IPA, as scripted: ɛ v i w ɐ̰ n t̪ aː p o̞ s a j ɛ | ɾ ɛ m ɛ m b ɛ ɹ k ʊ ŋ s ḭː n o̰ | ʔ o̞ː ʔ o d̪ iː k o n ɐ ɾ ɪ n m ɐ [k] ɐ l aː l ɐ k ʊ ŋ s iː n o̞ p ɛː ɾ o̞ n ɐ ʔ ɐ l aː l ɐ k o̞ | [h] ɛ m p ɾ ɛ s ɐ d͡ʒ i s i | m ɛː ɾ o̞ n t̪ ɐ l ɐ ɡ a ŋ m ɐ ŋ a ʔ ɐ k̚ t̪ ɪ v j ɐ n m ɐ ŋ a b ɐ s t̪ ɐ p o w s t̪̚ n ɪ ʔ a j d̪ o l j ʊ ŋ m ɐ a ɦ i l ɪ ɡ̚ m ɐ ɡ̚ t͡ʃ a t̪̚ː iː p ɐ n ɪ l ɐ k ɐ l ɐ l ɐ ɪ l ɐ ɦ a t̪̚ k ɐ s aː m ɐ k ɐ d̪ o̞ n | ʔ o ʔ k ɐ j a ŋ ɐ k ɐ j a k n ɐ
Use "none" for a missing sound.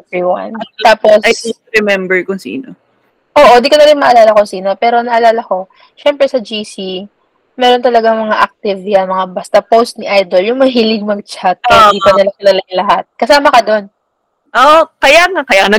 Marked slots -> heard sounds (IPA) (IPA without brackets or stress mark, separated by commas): ʔ, ʃ